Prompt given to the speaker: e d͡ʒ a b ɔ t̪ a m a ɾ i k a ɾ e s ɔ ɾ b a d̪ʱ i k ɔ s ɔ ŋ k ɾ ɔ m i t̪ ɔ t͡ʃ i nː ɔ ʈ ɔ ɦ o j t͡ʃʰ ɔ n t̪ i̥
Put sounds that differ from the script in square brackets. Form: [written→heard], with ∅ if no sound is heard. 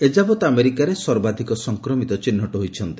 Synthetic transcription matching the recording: e d͡ʒ a b ɔ t̪ a m [a→e] ɾ i k a ɾ e s ɔ ɾ b a d̪ʱ i k ɔ s ɔ ŋ k ɾ ɔ m i t̪ ɔ t͡ʃ i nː ɔ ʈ ɔ ɦ o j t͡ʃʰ ɔ n t̪ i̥